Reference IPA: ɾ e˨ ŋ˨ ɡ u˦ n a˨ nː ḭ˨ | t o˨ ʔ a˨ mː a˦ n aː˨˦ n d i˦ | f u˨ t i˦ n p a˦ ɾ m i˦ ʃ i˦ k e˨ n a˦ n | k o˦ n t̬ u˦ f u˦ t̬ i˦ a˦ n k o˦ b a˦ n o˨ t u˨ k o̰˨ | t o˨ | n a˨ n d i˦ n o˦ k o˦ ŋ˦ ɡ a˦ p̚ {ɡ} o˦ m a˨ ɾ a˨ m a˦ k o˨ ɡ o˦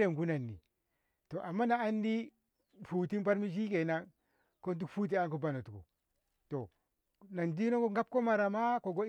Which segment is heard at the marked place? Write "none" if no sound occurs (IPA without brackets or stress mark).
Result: k